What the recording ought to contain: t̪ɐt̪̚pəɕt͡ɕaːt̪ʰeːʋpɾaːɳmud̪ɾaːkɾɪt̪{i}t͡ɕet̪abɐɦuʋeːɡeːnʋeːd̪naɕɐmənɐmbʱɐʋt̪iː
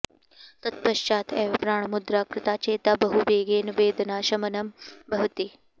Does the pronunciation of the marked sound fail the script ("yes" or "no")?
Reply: yes